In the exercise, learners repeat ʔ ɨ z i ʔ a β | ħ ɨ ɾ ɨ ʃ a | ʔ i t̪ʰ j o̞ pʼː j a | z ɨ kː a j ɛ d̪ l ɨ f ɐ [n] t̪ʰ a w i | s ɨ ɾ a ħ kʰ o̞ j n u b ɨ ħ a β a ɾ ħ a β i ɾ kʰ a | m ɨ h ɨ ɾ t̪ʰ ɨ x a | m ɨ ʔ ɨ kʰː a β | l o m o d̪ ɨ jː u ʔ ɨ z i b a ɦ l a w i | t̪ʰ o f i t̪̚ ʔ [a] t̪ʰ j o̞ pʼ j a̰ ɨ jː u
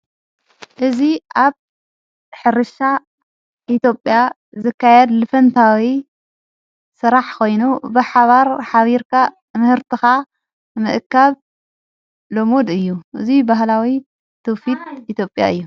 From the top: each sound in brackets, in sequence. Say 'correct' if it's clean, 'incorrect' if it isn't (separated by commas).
correct, incorrect